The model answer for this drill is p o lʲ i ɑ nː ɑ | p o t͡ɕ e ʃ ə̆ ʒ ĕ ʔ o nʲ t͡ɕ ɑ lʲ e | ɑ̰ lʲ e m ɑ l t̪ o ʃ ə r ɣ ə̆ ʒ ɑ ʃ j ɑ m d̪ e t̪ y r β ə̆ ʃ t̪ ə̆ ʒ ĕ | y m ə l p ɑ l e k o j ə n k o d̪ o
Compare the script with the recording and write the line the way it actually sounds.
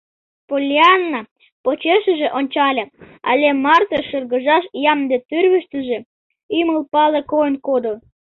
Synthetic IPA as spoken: p o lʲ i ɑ nː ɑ | p o t͡ɕ e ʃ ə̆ ʒ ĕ ʔ o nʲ t͡ɕ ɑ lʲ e | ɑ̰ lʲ e m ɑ r t̪ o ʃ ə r ɣ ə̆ ʒ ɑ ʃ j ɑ m d̪ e t̪ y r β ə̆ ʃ t̪ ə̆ ʒ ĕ | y m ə l p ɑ l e k o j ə n k o d̪ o